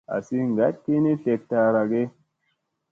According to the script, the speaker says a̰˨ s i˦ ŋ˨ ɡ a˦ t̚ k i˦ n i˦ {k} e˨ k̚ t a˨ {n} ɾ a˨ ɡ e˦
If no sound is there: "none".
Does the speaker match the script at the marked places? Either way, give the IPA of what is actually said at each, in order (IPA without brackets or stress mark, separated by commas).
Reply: t, none